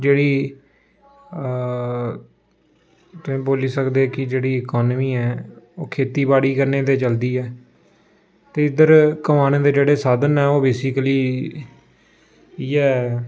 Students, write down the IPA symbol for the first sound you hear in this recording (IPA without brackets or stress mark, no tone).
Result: d͡ʒ